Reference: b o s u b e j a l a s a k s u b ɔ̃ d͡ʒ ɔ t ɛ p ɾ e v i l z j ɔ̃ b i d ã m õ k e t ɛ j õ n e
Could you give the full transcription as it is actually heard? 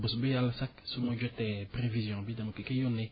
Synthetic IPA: b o s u b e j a l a s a k s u m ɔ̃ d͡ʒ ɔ t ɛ p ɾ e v i z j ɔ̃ b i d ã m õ k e k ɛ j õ n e